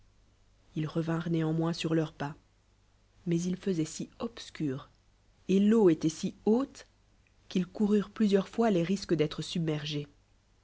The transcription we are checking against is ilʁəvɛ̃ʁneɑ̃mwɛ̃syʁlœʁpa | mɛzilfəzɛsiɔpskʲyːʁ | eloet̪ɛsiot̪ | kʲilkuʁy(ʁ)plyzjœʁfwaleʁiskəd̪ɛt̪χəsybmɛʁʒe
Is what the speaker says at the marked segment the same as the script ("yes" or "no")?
yes